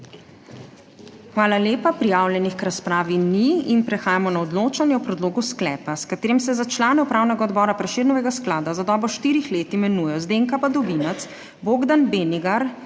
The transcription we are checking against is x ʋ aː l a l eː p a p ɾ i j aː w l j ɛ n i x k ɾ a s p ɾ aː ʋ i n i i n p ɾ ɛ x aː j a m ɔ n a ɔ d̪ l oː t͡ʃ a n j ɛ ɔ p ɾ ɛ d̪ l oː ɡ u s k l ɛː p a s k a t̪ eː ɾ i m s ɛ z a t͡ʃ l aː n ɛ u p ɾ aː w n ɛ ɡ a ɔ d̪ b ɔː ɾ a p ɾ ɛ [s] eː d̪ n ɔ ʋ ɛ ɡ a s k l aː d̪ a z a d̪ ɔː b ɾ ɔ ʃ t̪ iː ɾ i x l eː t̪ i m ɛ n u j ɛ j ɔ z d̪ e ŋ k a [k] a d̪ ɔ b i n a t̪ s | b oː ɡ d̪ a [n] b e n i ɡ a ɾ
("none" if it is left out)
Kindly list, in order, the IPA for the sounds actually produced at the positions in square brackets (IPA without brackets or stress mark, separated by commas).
ʃ, p, n